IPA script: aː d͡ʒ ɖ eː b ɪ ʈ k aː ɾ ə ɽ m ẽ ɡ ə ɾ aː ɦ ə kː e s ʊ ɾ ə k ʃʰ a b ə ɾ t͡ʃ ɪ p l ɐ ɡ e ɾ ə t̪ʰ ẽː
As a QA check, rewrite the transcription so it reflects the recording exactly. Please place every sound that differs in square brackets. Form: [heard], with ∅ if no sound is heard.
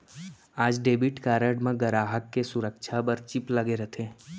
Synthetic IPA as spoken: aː d͡ʒ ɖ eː b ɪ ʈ k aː ɾ ə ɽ m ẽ ɡ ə ɾ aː ɦ ə kː e s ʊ ɾ ə k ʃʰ a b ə ɾ t͡ʃ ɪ p l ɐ ɡ e ɾ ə t̪ʰ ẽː